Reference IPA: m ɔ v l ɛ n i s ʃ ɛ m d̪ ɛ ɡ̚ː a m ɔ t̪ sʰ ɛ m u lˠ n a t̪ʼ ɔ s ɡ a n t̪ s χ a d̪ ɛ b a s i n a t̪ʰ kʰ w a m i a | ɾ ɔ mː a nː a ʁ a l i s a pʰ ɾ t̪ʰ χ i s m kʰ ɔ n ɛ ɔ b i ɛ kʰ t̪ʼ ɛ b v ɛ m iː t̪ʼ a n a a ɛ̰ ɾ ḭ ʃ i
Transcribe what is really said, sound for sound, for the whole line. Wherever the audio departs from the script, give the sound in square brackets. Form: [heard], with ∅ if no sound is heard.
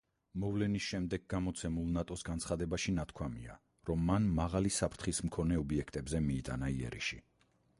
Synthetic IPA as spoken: m ɔ v l ɛ n i s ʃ ɛ m d̪ ɛ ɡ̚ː a m ɔ t̪ sʰ ɛ m u lˠ n a t̪ʼ ɔ s ɡ a n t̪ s χ a d̪ ɛ b a [ʃ] i n a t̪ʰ kʰ w a m i a | ɾ ɔ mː a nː a ʁ a l i s a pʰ ɾ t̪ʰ χ i s m kʰ ɔ n ɛ ɔ b i ɛ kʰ t̪ʼ ɛ b [z] ɛ m iː t̪ʼ a n a [i] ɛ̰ ɾ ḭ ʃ i

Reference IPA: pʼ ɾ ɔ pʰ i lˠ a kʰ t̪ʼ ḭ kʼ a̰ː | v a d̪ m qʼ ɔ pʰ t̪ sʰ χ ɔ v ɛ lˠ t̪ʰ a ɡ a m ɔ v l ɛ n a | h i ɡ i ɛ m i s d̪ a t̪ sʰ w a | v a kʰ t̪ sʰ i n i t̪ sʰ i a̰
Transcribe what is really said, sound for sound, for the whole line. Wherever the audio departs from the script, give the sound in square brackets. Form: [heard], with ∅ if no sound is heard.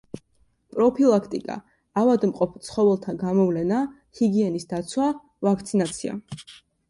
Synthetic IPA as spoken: pʼ ɾ ɔ pʰ i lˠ a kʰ t̪ʼ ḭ kʼ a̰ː | v a d̪ m qʼ ɔ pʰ t̪ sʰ χ ɔ v ɛ lˠ t̪ʰ a ɡ a m ɔ v l ɛ n a | h i ɡ i ɛ [n] i s d̪ a t̪ sʰ w a | v a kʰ t̪ sʰ i n [a] t̪ sʰ i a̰

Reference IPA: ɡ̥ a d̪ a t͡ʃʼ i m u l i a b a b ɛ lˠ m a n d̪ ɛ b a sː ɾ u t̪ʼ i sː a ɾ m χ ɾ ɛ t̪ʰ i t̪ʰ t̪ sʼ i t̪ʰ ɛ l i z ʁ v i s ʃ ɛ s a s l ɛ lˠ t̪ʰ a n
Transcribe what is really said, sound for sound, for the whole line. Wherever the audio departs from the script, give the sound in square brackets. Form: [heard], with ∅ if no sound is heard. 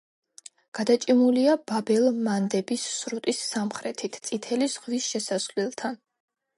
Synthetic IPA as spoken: ɡ̥ a d̪ a t͡ʃʼ i m u l i a b a b ɛ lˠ m a n d̪ ɛ b [i] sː ɾ u t̪ʼ i sː a [∅] m χ ɾ ɛ t̪ʰ i t̪ʰ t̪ sʼ i t̪ʰ ɛ l i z ʁ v i s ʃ ɛ s a s l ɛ lˠ t̪ʰ a n

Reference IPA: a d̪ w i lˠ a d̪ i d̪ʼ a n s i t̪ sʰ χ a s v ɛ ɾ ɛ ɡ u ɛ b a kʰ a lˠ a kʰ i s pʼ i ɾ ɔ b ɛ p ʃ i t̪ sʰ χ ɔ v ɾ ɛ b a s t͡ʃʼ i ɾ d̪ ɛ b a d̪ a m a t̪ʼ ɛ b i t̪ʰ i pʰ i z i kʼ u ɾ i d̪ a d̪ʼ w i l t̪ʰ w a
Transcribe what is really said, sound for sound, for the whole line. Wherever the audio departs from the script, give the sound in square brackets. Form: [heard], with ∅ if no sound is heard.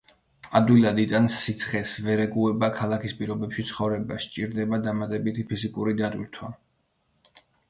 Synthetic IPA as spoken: a d̪ w i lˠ a d̪ i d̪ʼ a n s i t̪ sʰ χ [ɛ] s v ɛ ɾ ɛ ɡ u ɛ b a kʰ a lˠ a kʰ i s pʼ i ɾ ɔ b ɛ p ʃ i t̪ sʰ χ ɔ v ɾ ɛ b a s t͡ʃʼ i ɾ d̪ ɛ b a d̪ a m a t̪ʼ ɛ b i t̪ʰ i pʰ i z i kʼ u ɾ i d̪ a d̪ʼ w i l t̪ʰ w a

